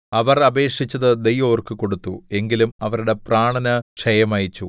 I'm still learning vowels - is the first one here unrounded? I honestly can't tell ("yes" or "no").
yes